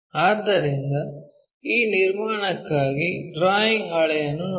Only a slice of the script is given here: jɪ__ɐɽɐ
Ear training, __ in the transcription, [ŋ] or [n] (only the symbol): ŋ